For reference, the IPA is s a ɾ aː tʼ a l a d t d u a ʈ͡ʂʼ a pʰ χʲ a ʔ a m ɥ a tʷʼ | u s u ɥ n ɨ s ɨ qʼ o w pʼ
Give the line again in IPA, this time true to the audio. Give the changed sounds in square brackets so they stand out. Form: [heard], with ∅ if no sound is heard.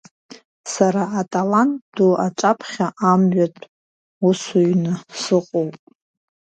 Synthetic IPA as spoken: s a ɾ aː tʼ a l a [n] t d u a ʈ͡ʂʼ a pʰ χʲ a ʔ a m ɥ a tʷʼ | u s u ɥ n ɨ s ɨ qʼ o w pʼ